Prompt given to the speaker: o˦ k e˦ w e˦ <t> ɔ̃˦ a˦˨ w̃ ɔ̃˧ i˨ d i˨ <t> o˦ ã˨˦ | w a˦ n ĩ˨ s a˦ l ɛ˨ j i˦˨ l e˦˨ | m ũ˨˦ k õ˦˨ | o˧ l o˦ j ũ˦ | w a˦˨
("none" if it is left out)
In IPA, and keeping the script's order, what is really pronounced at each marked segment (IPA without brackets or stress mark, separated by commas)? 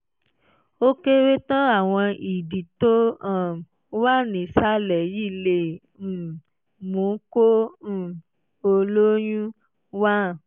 t, t